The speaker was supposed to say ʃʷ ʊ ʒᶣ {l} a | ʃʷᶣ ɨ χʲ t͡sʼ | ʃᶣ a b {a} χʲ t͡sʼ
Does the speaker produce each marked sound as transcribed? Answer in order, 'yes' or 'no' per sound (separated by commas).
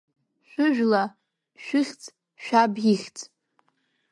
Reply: yes, no